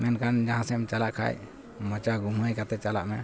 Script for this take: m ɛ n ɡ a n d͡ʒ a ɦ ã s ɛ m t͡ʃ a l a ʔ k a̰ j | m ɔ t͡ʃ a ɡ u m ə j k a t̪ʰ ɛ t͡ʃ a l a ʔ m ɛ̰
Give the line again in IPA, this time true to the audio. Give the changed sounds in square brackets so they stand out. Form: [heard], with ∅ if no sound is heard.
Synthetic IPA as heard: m ɛ n [k] a n d͡ʒ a ɦ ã s ɛ m t͡ʃ a l a ʔ [kʰ] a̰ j | m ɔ t͡ʃ a ɡ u m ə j k a [t̪] ɛ t͡ʃ a l a ʔ m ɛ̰